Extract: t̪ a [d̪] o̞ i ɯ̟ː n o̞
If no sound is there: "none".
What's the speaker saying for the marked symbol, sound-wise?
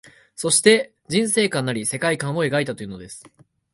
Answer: t̪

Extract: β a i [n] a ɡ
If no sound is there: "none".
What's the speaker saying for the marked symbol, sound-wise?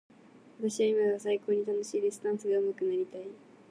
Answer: m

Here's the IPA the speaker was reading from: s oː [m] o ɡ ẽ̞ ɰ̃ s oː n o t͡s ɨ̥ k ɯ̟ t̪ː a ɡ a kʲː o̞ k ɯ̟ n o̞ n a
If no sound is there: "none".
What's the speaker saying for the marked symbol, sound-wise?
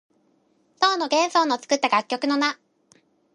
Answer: n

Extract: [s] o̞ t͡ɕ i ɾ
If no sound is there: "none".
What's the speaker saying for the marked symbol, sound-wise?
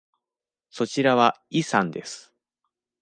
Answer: s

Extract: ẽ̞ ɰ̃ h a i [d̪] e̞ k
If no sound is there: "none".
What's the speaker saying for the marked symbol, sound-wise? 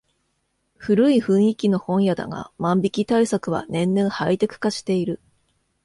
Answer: t̪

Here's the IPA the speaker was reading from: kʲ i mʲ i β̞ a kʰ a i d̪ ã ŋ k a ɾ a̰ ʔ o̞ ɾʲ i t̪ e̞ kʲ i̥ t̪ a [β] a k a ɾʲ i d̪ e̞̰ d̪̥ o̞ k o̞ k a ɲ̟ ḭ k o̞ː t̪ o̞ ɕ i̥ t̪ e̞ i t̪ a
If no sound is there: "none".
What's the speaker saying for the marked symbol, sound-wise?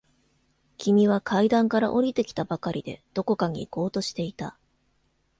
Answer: b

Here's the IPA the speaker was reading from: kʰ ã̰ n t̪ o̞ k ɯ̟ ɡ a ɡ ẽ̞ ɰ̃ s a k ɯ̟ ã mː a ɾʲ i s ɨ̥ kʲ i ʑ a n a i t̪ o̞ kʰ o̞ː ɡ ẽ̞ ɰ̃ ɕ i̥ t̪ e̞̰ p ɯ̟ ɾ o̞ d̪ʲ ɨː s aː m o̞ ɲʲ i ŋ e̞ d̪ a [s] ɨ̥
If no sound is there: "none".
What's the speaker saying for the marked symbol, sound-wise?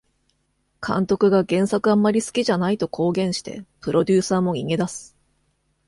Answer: s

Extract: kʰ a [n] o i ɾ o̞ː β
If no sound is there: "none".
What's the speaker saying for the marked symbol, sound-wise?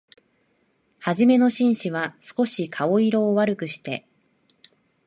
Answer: none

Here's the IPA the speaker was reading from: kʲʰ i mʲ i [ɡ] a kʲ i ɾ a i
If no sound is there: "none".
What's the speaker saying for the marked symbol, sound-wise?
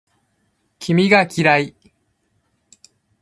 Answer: ɡ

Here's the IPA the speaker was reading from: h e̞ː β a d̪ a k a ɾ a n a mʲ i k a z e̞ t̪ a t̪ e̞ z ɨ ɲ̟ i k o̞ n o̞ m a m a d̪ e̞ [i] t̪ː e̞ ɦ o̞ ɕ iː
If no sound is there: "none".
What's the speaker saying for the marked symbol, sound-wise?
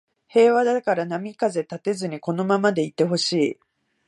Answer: i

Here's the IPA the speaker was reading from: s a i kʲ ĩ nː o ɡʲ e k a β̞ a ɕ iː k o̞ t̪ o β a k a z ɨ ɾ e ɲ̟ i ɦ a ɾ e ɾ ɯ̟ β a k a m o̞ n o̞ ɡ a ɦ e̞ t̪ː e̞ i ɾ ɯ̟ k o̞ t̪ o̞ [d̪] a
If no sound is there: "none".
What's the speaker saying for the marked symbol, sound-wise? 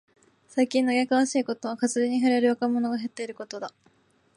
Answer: d̪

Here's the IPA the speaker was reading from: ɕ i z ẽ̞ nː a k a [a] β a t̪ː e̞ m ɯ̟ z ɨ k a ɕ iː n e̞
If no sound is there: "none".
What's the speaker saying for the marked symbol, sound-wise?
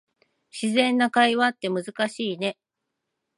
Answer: i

